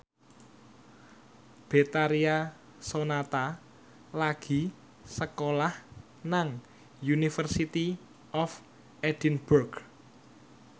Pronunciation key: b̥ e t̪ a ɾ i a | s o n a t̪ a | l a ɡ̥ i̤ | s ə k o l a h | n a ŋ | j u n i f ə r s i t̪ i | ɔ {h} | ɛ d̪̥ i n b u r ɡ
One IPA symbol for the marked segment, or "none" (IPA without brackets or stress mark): f